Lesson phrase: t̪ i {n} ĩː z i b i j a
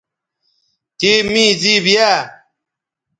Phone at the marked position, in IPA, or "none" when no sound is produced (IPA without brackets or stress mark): m